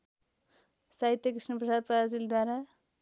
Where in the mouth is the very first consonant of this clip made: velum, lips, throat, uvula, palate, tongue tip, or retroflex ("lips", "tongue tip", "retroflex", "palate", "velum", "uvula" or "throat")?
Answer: tongue tip